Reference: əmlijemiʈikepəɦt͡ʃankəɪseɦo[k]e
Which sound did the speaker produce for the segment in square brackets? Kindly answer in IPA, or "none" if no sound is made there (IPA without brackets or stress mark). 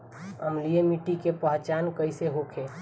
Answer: kʰ